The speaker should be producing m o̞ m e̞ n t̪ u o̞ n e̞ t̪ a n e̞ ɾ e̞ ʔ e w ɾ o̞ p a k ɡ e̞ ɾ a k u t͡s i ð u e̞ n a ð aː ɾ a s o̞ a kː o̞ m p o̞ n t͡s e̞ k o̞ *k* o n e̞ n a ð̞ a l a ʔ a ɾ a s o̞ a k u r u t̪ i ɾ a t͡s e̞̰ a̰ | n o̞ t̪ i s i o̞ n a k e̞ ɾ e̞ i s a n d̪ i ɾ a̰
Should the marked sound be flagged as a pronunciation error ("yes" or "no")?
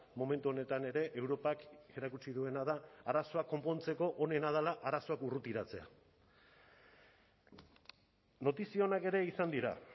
yes